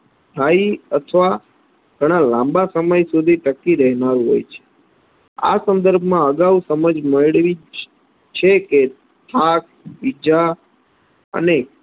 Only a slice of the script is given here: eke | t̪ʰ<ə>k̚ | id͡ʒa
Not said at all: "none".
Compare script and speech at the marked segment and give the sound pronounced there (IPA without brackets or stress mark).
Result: a